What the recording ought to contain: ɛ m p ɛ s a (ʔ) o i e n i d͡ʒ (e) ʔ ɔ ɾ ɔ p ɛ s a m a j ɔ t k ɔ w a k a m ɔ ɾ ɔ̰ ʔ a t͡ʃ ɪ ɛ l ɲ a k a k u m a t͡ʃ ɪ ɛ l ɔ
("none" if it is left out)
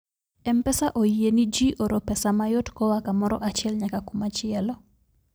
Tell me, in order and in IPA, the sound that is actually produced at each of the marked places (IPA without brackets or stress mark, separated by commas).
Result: ʔ, i